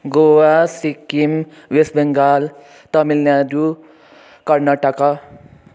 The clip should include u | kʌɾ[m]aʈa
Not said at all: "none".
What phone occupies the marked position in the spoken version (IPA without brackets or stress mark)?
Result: n